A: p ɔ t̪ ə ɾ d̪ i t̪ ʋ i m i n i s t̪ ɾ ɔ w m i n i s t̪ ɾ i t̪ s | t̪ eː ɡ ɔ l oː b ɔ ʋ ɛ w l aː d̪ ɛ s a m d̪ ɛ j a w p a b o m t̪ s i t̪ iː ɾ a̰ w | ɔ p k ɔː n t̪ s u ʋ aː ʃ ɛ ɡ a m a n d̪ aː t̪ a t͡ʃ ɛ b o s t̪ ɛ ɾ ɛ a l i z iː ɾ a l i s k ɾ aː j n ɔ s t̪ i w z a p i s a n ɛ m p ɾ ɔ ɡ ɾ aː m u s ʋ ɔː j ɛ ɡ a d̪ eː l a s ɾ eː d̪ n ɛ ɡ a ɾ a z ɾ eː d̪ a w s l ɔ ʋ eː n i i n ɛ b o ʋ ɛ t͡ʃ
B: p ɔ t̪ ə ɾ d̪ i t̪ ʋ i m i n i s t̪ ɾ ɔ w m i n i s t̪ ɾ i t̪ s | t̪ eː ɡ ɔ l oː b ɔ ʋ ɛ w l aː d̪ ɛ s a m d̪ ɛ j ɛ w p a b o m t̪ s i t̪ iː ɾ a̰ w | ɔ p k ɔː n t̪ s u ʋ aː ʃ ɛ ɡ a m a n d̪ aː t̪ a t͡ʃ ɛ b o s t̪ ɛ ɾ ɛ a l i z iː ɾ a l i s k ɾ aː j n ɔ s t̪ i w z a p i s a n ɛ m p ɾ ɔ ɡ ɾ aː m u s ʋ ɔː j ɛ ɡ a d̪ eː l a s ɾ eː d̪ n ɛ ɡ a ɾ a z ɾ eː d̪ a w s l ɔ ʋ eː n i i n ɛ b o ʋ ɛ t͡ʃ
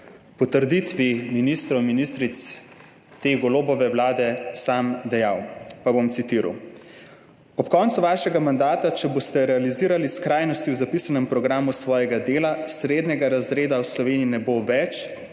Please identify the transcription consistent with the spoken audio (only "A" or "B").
A